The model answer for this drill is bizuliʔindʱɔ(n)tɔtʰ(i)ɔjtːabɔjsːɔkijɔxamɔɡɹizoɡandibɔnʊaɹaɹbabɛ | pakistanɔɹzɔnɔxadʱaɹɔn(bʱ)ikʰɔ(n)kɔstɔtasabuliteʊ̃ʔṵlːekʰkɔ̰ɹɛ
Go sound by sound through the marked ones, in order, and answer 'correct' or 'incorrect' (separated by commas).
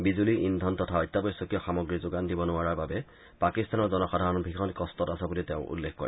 correct, incorrect, correct, correct